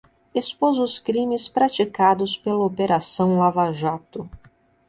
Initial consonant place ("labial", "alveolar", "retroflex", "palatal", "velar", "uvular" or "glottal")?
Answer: alveolar